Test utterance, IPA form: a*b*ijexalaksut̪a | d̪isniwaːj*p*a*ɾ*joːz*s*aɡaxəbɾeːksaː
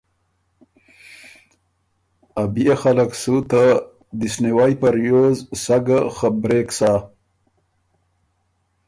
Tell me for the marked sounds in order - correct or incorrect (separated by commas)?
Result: correct, correct, correct, correct